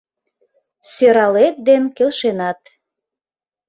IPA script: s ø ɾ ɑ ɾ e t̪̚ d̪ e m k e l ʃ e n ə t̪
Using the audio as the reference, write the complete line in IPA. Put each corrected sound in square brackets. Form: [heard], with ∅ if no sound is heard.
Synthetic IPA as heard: s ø ɾ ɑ [l] e t̪̚ d̪ e [n] k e l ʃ e n [ɑ] t̪